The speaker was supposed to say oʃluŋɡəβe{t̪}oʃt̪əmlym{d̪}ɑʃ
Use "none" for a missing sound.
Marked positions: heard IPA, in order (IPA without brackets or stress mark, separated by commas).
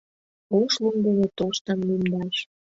t̪, d̪